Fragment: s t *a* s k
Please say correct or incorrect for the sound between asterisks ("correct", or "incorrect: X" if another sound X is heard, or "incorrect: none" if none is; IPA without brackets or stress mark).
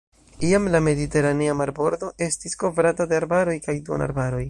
incorrect: i